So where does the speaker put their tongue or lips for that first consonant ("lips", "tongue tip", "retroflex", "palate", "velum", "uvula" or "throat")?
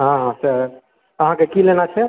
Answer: throat